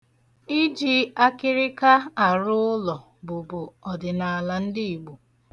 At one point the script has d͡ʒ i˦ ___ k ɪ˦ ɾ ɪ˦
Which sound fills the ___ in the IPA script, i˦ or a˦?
a˦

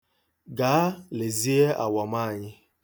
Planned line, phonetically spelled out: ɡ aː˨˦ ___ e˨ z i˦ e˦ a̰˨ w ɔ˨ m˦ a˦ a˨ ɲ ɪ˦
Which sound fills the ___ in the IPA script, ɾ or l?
l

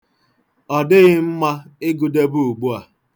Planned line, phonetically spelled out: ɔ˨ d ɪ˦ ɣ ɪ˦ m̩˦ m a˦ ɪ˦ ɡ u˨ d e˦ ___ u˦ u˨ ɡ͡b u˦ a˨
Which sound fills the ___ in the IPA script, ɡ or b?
b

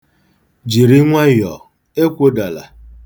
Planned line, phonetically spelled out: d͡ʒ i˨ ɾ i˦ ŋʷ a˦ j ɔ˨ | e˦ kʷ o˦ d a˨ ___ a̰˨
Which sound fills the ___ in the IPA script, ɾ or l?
l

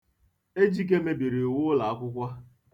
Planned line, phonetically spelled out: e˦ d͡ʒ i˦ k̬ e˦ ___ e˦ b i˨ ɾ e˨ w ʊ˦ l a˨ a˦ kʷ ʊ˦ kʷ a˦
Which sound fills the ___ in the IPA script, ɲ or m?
m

